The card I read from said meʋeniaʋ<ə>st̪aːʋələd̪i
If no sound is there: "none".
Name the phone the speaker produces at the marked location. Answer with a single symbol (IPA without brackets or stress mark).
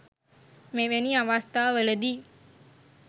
a